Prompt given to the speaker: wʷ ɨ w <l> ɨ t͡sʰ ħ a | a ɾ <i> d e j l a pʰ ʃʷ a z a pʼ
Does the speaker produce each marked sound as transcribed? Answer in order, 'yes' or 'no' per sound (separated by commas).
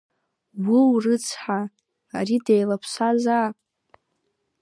no, yes